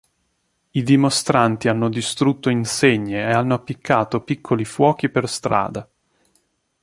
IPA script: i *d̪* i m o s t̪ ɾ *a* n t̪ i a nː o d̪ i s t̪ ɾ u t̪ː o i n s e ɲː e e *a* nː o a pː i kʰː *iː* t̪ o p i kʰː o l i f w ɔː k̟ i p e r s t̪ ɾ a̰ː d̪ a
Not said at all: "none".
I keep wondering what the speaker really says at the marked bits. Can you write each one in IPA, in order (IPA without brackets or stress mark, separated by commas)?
d̪, a, a, aː